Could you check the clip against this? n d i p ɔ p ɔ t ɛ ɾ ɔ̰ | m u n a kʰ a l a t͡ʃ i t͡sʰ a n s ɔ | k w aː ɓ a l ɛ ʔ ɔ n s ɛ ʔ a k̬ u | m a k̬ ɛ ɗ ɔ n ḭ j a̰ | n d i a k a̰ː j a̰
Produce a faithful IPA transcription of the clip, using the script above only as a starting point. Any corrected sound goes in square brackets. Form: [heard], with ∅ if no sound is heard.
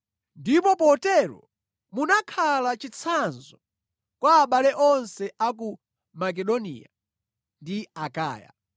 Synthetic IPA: n d i p ɔ p ɔ t ɛ ɾ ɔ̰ | m u n a kʰ a l a t͡ʃ i t͡sʰ a n [z] ɔ | k w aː ɓ a l ɛ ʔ ɔ n s ɛ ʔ a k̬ u | m a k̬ ɛ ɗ ɔ n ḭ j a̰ | n d i a k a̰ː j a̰